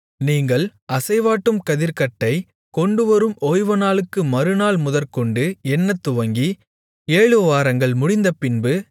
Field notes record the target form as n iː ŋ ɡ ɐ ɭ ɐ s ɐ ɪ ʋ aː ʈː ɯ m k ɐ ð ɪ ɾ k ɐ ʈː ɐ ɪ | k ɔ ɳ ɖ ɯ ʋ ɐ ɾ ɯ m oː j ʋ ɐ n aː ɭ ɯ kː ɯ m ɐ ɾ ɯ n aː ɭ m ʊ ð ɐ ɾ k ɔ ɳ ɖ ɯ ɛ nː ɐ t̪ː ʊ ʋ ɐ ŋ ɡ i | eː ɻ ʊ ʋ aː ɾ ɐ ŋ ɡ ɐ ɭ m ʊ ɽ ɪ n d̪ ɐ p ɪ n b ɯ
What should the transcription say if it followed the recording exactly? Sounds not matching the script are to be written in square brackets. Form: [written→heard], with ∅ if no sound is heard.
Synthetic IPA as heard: n iː ŋ ɡ ɐ ɭ ɐ s ɐ ɪ ʋ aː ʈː ɯ m k ɐ ð ɪ ɾ k ɐ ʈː ɐ ɪ | k ɔ ɳ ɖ ɯ ʋ ɐ ɾ ɯ m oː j ʋ ɐ n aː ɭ ɯ kː ɯ m ɐ ɾ ɯ n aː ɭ m ʊ ð ɐ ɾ k ɔ ɳ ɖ ɯ ɛ nː ɐ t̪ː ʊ ʋ ɐ ŋ ɡ i | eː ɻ [ʊ→ɯ] ʋ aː ɾ ɐ ŋ ɡ ɐ ɭ m ʊ ɽ ɪ n d̪ ɐ p ɪ n b ɯ